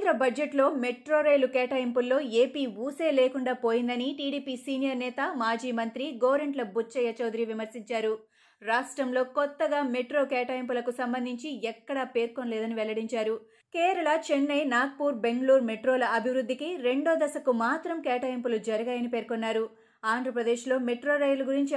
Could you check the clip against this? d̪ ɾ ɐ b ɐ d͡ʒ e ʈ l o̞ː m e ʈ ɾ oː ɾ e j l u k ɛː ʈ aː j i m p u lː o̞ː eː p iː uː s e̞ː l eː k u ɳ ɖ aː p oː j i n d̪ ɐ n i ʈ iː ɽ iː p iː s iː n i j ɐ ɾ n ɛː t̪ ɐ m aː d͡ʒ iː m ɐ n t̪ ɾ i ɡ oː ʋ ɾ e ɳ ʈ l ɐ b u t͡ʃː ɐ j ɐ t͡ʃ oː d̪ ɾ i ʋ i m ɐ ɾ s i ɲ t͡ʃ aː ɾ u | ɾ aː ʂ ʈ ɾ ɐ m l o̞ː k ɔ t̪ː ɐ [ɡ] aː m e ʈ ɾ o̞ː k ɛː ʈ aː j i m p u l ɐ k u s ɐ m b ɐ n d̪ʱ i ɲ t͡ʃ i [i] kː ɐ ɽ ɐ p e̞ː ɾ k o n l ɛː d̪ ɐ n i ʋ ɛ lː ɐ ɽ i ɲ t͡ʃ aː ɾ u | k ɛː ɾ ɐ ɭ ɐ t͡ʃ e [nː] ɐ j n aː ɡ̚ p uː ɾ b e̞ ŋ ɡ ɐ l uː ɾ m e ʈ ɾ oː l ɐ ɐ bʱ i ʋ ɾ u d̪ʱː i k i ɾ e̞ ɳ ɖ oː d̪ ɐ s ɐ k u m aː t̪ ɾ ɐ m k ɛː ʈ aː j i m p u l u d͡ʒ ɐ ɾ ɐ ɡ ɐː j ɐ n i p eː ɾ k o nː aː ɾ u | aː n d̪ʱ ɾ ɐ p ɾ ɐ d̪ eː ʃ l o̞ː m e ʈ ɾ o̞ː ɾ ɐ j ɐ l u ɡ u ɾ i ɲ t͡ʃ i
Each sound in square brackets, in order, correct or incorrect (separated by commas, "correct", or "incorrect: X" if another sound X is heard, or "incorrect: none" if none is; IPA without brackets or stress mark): correct, incorrect: ɛ, correct